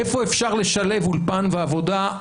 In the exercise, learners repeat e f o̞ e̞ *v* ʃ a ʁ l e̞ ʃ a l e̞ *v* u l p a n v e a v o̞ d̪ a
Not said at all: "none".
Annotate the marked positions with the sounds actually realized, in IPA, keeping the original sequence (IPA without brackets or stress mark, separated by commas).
f, v